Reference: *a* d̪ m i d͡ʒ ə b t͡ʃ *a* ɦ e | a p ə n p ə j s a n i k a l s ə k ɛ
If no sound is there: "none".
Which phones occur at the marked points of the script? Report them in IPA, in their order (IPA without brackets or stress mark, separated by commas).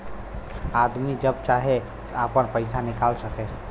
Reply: a, a